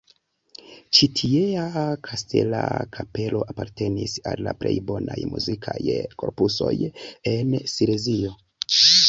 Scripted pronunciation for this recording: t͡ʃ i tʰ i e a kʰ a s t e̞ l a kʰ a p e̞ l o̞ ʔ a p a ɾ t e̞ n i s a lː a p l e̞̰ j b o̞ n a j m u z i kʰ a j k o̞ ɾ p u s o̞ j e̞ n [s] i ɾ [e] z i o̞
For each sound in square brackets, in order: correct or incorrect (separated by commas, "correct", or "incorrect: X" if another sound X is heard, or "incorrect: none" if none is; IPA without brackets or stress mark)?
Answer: correct, correct